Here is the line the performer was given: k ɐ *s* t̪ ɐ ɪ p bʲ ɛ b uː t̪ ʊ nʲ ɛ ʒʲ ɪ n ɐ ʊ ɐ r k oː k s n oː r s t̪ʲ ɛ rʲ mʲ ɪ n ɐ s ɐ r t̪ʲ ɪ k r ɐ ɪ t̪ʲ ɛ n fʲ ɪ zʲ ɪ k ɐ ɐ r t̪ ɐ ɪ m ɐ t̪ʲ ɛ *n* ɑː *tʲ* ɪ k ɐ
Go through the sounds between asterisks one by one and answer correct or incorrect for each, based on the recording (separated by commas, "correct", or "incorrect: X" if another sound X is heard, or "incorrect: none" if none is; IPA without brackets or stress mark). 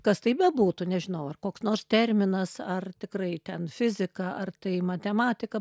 correct, incorrect: m, correct